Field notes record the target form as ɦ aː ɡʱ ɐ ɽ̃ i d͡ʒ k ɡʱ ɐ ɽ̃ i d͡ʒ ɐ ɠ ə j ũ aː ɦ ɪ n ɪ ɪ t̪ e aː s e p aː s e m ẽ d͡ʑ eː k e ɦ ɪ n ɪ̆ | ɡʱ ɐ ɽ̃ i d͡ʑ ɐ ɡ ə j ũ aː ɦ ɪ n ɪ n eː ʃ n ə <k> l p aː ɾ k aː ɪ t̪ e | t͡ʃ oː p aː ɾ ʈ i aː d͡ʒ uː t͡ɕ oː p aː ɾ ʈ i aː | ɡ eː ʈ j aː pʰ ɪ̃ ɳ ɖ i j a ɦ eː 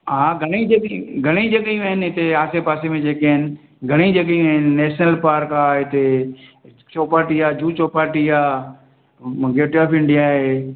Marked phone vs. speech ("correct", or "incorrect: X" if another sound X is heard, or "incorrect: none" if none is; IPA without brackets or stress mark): incorrect: none